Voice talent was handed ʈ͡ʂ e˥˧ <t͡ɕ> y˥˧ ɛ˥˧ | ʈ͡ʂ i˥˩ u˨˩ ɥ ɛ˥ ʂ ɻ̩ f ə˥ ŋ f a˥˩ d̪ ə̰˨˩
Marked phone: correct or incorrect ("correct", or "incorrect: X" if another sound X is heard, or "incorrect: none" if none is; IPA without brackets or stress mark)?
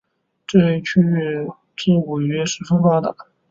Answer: incorrect: t͡ɕʰ